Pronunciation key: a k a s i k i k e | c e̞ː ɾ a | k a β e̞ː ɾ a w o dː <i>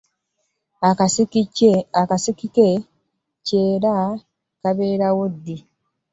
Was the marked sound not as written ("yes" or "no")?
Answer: no